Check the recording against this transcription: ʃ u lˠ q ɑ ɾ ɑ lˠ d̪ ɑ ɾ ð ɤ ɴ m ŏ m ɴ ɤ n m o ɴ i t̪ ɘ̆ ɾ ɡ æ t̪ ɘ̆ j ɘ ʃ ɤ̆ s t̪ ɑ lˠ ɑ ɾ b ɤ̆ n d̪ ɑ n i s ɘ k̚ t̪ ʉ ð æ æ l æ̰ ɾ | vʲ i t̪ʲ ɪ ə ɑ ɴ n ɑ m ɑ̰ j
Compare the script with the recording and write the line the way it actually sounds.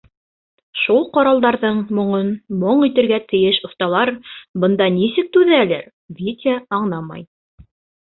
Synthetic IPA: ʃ u lˠ q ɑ ɾ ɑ lˠ d̪ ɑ ɾ ð ɤ ɴ m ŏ ɴ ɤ n m o ɴ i t̪ ɘ̆ ɾ ɡ æ t̪ ɘ̆ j ɘ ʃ ŏ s t̪ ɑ lˠ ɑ ɾ b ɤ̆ n d̪ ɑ n i s ɘ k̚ t̪ ʉ ð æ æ l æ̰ ɾ | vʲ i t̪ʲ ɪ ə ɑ ɴ n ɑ m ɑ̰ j